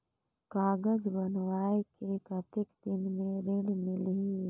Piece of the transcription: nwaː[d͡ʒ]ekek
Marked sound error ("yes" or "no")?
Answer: yes